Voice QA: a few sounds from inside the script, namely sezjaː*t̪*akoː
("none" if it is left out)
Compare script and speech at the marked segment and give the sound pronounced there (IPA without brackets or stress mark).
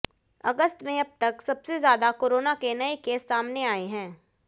d̪